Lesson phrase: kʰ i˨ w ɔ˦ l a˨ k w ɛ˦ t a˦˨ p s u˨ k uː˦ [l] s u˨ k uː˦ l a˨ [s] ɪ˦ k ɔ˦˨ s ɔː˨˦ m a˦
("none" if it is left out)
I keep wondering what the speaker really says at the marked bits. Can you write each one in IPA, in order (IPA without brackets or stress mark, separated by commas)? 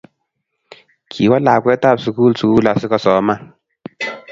l, s